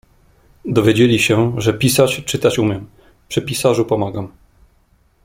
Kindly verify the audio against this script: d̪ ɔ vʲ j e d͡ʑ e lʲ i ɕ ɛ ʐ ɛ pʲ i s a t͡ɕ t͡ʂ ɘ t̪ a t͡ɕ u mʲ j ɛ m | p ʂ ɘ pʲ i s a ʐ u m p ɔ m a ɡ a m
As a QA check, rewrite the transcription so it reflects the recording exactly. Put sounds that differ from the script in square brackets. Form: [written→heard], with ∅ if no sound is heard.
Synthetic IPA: d̪ ɔ vʲ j e d͡ʑ e lʲ i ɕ ɛ ʐ ɛ pʲ i s a t͡ɕ t͡ʂ ɘ t̪ a t͡ɕ u mʲ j ɛ m | p ʂ ɘ pʲ i s a ʐ u [m→∅] p ɔ m a ɡ a m